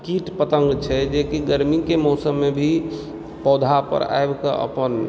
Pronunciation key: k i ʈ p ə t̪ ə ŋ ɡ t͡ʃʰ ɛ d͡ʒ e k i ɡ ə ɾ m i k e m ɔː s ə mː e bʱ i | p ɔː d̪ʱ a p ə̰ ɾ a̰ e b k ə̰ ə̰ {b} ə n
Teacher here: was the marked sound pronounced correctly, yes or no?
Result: no